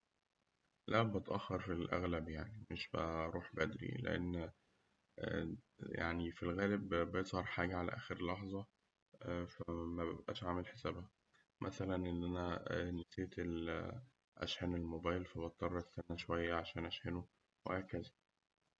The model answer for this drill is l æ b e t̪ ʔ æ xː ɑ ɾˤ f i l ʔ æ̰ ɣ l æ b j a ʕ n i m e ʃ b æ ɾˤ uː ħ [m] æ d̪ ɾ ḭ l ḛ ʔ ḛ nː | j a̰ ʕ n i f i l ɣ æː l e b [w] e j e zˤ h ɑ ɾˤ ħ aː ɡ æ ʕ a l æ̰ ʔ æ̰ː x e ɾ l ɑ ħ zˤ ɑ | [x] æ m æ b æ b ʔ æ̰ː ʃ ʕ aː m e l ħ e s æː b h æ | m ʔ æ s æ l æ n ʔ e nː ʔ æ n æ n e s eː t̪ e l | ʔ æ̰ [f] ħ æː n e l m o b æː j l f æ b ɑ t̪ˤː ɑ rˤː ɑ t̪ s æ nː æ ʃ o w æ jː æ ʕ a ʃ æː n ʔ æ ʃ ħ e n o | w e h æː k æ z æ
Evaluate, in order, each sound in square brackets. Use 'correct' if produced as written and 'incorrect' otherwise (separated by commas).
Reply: incorrect, incorrect, incorrect, incorrect